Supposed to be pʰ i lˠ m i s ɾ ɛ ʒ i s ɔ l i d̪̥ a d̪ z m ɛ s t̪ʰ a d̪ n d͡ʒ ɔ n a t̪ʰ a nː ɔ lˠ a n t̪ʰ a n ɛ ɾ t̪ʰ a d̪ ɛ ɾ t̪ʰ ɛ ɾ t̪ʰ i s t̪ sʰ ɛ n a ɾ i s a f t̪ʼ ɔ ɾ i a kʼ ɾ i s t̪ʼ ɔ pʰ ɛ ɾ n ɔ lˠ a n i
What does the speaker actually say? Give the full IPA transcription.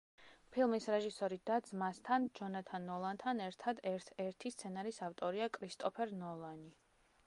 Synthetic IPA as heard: pʰ i lˠ m i s ɾ ɛ ʒ i s ɔ ɾ i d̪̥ a d̪ z m a s t̪ʰ a n d͡ʒ ɔ n a t̪ʰ a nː ɔ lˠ a n t̪ʰ a n ɛ ɾ t̪ʰ a d̪ ɛ ɾ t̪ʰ ɛ ɾ t̪ʰ i s t̪ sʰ ɛ n a ɾ i s a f t̪ʼ ɔ ɾ i a kʼ ɾ i s t̪ʼ ɔ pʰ ɛ ɾ n ɔ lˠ a n i